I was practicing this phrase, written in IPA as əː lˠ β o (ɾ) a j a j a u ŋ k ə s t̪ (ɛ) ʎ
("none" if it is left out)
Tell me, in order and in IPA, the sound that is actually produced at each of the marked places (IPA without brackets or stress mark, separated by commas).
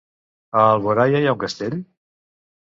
ɾ, e